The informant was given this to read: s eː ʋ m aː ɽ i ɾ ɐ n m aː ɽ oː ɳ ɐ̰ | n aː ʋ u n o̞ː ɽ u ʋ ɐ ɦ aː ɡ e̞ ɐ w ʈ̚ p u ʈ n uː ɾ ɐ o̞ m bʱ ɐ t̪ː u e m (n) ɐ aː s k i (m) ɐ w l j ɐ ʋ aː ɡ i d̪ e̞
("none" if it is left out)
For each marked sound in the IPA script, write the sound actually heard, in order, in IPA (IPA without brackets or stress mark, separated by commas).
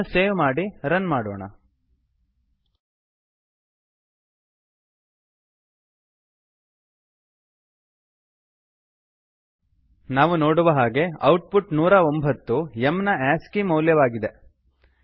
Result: n, m